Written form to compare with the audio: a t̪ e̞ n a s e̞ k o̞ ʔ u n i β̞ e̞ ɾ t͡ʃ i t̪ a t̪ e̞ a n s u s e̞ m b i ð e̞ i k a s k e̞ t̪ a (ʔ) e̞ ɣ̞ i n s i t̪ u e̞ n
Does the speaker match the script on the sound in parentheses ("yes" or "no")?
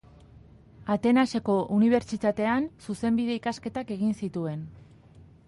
no